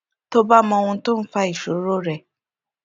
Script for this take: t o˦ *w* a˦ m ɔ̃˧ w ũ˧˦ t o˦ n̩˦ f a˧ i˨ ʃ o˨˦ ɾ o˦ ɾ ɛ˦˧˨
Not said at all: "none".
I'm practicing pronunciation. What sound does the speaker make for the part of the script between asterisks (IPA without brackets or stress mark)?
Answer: b